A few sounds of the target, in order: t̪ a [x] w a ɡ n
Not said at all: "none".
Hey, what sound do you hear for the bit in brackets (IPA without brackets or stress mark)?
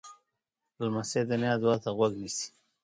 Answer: ɣ